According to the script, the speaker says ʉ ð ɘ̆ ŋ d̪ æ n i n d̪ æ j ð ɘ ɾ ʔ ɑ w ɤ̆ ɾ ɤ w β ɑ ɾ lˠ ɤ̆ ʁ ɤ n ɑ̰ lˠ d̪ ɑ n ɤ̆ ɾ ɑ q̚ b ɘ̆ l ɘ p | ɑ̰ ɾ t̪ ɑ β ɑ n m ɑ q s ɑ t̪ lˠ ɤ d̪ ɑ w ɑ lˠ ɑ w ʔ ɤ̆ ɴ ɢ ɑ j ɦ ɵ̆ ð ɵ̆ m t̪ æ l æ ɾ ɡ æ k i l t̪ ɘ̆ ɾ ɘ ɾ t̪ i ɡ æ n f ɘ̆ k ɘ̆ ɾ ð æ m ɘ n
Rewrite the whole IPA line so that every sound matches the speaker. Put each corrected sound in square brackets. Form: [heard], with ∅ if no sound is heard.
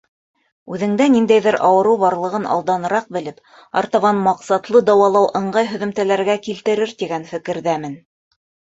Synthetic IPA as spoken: ʉ ð ɘ̆ ŋ d̪ æ n i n d̪ æ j ð ɘ ɾ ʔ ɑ w ɤ̆ ɾ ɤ w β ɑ ɾ lˠ ɤ̆ ʁ ɤ n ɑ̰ lˠ d̪ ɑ n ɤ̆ ɾ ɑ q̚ b ɘ̆ l ɘ p | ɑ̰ ɾ t̪ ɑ β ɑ n m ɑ q s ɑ t̪ lˠ ɤ d̪ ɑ w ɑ lˠ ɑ w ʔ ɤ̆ ɴ ɢ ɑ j ɦ ɵ̆ ð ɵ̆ m t̪ æ l æ ɾ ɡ æ k i l t̪ ɘ̆ ɾ ɘ ɾ t̪ i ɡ æ n f ɘ̆ k ɘ̆ ɾ ð æ m ɘ n

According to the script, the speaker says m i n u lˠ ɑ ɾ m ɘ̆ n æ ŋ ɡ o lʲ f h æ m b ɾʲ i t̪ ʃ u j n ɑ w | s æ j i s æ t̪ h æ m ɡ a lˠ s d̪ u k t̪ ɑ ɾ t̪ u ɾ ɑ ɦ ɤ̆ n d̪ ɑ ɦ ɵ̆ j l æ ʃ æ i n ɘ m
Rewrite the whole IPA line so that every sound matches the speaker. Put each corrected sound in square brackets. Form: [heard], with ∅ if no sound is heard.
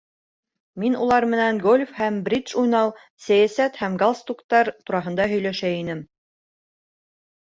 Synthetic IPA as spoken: m i n u lˠ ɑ ɾ m ɘ̆ n æ ŋ ɡ o lʲ f h æ m b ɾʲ i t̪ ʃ u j n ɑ w | s æ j [æ] s æ t̪ h æ m ɡ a lˠ s [t̪] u k t̪ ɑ ɾ t̪ u ɾ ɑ ɦ ɤ̆ n d̪ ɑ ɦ ɵ̆ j l æ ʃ æ i n ɘ m

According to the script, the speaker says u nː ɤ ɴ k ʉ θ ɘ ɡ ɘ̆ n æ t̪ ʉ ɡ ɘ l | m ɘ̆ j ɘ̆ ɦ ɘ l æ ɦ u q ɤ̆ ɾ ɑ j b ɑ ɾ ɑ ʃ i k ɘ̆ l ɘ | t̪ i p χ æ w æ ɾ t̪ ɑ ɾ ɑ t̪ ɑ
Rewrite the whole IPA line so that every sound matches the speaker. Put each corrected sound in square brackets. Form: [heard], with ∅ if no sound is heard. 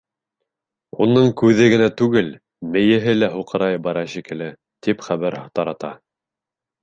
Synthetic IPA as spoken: u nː ɤ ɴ k ʉ [ð] ɘ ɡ ɘ̆ n æ t̪ ʉ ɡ ɘ l | m ɘ̆ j ɘ̆ ɦ ɘ l æ ɦ u q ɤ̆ ɾ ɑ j b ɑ ɾ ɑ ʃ i k ɘ̆ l ɘ | t̪ i p χ æ [β] æ ɾ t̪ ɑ ɾ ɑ t̪ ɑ

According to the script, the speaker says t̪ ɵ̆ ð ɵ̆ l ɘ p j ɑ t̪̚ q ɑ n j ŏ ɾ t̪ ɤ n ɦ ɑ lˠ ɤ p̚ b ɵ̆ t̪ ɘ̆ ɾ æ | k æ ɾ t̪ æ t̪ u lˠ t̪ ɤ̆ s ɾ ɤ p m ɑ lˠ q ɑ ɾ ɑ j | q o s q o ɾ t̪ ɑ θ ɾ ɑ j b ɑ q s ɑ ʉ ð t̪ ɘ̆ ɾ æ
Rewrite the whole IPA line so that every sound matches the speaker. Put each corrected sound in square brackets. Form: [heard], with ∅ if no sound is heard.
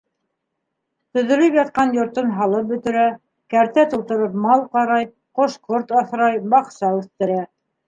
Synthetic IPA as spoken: t̪ ɵ̆ ð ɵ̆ l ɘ p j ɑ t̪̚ q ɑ n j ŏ ɾ t̪ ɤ n ɦ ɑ lˠ ɤ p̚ b ɵ̆ t̪ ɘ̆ ɾ æ | k æ ɾ t̪ æ t̪ u lˠ t̪ ɤ̆ [∅] ɾ ɤ p m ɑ lˠ q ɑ ɾ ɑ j | q o [ʃ] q o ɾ t̪ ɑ θ ɾ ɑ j b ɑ q s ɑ ʉ [θ] t̪ ɘ̆ ɾ æ

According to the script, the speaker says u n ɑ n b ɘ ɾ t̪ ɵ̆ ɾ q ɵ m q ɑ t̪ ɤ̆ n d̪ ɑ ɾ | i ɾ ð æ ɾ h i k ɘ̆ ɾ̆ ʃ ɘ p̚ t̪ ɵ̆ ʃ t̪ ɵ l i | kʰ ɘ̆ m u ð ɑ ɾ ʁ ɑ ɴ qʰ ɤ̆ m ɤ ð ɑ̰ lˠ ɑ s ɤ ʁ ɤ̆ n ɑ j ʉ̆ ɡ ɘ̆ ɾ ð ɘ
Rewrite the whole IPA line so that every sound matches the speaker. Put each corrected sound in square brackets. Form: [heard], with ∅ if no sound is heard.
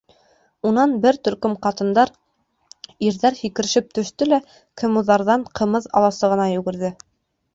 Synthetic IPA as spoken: u n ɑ n b ɘ ɾ t̪ ɵ̆ ɾ [k] ɵ m q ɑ t̪ ɤ̆ n d̪ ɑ ɾ | i ɾ ð æ ɾ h i k ɘ̆ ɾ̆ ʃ ɘ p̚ t̪ ɵ̆ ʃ t̪ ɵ l [æ] | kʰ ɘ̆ m u ð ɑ ɾ [ð] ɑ ɴ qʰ ɤ̆ m ɤ ð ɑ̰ lˠ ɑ s ɤ ʁ ɤ̆ n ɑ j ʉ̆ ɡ ɘ̆ ɾ ð ɘ

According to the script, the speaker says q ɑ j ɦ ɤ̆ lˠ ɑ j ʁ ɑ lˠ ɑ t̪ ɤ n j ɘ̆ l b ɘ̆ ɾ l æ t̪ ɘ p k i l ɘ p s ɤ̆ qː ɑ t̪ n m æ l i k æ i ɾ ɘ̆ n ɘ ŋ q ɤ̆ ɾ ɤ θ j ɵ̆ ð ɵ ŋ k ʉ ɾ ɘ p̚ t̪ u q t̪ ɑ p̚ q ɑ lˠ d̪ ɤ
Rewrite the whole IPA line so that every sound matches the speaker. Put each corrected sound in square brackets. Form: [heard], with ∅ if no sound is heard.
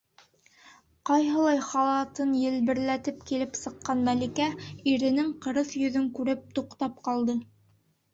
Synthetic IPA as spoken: q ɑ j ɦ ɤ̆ lˠ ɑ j [χ] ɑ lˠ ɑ t̪ ɤ n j ɘ̆ l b ɘ̆ ɾ l æ t̪ ɘ p k i l ɘ p s ɤ̆ qː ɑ [∅] n m æ l i k æ i ɾ ɘ̆ n ɘ ŋ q ɤ̆ ɾ ɤ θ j ɵ̆ ð ɵ ŋ k ʉ ɾ ɘ p̚ t̪ u q t̪ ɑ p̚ q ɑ lˠ d̪ ɤ

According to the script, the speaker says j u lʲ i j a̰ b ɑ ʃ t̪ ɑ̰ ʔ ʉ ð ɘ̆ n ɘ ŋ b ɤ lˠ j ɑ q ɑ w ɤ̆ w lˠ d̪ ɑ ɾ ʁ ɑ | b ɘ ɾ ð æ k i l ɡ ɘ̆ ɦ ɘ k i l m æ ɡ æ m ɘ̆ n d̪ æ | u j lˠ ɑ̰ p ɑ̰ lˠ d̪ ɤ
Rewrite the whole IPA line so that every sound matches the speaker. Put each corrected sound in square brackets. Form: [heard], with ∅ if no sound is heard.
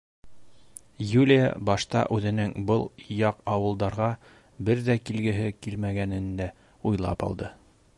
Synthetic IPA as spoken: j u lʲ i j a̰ b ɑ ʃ t̪ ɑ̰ ʔ ʉ ð ɘ̆ n ɘ ŋ b ɤ lˠ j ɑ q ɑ w ɤ̆ [∅] lˠ d̪ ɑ ɾ ʁ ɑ | b ɘ ɾ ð æ k i l ɡ ɘ̆ ɦ ɘ k i l m æ ɡ æ [n] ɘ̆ n d̪ æ | u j lˠ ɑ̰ p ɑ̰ lˠ d̪ ɤ

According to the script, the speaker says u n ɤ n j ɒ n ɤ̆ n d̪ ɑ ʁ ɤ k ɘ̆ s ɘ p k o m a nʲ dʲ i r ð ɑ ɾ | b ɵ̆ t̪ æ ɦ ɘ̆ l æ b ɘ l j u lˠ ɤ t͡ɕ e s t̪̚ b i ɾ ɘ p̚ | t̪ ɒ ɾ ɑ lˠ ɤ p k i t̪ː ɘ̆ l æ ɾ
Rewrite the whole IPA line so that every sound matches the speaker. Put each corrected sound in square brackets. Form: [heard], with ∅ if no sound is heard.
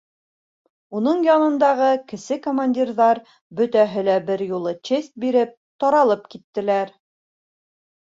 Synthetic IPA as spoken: u n ɤ [ɴ] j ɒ n ɤ̆ n d̪ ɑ ʁ ɤ k ɘ̆ s ɘ [∅] k o m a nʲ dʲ i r ð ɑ ɾ | b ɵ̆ t̪ æ ɦ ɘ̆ l æ b ɘ [ɾ] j u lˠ ɤ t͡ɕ e s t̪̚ b i ɾ ɘ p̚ | t̪ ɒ ɾ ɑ lˠ ɤ p k i t̪ː ɘ̆ l æ ɾ

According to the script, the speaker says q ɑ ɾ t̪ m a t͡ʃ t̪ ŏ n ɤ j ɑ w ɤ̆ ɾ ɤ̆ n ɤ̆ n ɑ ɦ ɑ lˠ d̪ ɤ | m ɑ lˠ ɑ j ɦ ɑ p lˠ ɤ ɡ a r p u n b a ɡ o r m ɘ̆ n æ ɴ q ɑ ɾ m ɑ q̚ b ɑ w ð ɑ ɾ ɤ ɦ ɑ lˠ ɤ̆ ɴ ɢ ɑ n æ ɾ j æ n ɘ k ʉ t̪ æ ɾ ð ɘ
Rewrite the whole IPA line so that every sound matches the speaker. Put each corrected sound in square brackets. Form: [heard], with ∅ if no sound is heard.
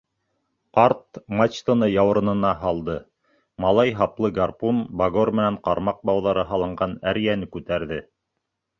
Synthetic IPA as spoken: q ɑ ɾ t̪ m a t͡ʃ t̪ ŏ n ɤ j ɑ w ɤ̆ ɾ ɤ̆ n ɤ̆ n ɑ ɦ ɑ lˠ d̪ ɤ | m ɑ lˠ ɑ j ɦ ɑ p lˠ ɤ ɡ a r p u n b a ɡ o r m ɘ̆ n æ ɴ q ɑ ɾ m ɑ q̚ b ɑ w ð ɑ ɾ ɤ ɦ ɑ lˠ ɤ̆ ɴ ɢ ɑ n æ ɾ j æ n ɘ k ʉ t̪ æ ɾ ð ɘ

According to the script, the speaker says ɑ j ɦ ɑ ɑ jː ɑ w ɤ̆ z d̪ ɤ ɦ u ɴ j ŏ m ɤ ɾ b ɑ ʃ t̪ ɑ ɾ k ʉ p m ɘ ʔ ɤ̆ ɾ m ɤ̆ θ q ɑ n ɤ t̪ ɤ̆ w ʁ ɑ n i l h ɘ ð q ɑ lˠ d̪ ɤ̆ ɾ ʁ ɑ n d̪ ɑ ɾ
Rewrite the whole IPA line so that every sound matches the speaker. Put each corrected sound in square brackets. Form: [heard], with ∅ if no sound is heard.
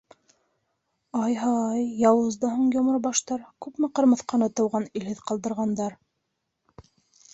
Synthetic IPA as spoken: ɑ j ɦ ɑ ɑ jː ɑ w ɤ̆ z d̪ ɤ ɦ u ɴ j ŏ m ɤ ɾ b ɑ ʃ t̪ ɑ ɾ k ʉ p m ɘ [q] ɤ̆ ɾ m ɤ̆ θ q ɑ n ɤ t̪ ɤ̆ w ʁ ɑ n i l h ɘ ð q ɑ lˠ d̪ ɤ̆ ɾ ʁ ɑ n d̪ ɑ ɾ

